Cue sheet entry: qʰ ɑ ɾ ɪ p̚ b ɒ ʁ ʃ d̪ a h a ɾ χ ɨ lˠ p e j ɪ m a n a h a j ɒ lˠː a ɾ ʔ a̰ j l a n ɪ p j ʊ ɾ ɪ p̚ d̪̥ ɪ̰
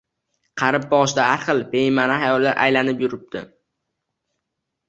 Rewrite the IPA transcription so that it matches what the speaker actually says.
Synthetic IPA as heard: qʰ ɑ ɾ ɪ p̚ b ɒ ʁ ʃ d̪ a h a ɾ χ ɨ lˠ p e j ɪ m a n a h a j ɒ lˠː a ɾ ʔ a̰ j l a n ɪ p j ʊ ɾ ɪ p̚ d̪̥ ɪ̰